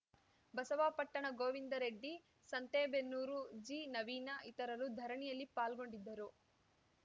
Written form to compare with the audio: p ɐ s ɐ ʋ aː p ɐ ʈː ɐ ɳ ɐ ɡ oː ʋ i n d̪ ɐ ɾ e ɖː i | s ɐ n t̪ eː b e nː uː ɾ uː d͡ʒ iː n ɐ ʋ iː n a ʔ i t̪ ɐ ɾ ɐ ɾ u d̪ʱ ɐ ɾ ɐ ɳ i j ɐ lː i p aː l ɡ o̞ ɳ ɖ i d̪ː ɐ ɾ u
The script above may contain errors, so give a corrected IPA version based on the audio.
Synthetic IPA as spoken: b ɐ s ɐ ʋ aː p ɐ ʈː ɐ ɳ ɐ ɡ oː ʋ i n d̪ ɐ ɾ e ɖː i | s ɐ n t̪ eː b e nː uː ɾ u d͡ʒ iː n ɐ ʋ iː n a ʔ i t̪ ɐ ɾ ɐ ɾ u d̪ʱ ɐ ɾ ɐ ɳ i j ɐ lː i p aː l ɡ o̞ ɳ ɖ i d̪ː ɐ ɾ u